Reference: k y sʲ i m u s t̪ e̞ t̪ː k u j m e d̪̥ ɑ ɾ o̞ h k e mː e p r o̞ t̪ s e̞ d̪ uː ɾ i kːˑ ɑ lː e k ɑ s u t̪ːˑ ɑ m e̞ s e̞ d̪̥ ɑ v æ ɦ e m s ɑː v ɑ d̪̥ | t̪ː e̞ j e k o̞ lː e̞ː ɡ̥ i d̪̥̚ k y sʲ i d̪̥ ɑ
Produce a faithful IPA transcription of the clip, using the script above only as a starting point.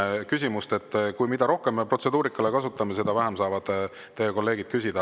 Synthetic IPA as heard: k y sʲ i m u s t̪ e̞ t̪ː k u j m i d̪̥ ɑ ɾ o̞ h k e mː e p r o̞ t̪ s e̞ d̪ uː ɾ i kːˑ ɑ l e k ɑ s u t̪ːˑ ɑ m e̞ s e̞ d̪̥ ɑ v æ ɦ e m s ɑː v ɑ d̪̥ | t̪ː e̞ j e k o̞ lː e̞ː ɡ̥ i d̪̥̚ k y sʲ i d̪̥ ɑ